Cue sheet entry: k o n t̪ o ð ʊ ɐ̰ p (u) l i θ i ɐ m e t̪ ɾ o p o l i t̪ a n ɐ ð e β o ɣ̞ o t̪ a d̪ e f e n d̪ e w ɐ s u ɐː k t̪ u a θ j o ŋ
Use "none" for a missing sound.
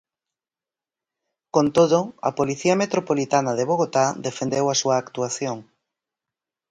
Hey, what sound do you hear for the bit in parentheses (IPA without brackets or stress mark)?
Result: o